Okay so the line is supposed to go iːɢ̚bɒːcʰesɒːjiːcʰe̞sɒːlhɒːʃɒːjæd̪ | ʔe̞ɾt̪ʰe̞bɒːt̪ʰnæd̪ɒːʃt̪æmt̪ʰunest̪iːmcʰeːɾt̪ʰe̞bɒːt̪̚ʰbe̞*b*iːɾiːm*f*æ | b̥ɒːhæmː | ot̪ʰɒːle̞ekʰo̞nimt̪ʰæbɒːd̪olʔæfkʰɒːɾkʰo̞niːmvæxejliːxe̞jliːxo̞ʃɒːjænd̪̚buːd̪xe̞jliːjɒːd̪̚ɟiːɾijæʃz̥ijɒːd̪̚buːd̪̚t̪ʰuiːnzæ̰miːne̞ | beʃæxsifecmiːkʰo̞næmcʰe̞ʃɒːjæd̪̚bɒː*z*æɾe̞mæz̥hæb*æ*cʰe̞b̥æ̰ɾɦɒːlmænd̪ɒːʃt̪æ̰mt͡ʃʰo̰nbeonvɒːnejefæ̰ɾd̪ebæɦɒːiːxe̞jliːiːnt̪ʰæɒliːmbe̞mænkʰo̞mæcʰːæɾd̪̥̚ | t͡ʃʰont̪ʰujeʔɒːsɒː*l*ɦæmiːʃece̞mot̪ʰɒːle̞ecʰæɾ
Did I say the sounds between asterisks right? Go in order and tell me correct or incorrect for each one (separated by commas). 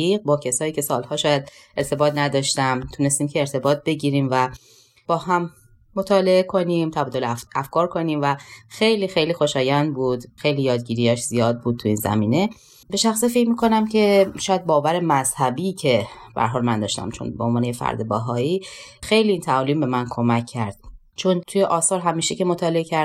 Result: incorrect, incorrect, incorrect, incorrect, incorrect